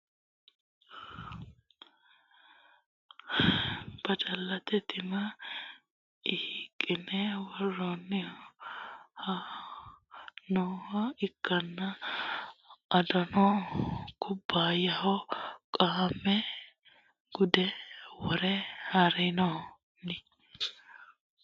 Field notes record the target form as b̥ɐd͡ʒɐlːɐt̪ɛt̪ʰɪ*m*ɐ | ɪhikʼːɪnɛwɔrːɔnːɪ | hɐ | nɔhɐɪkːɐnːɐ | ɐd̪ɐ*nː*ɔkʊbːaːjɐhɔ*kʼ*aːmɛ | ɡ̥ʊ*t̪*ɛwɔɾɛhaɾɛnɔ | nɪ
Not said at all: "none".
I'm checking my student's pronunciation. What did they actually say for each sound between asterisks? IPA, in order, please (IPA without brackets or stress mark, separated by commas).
m, n, kʼ, d̪